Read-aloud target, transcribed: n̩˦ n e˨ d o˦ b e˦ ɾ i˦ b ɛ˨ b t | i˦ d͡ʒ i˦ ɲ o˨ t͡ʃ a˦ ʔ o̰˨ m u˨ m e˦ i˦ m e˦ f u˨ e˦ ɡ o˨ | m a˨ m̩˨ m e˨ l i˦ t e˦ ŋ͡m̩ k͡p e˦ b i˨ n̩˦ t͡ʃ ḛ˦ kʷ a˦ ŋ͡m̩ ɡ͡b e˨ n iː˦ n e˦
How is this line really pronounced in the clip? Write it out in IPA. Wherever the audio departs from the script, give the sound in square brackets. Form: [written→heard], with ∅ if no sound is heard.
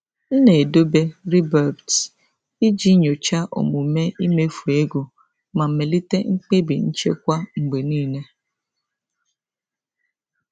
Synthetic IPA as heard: n̩˦ n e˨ d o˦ b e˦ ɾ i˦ b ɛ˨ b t | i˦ d͡ʒ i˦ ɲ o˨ t͡ʃ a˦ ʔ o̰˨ m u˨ m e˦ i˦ m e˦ f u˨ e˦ ɡ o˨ | m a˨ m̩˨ m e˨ l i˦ t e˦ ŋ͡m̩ k͡p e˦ b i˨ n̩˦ t͡ʃ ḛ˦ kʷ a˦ ŋ͡m̩ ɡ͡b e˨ n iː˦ n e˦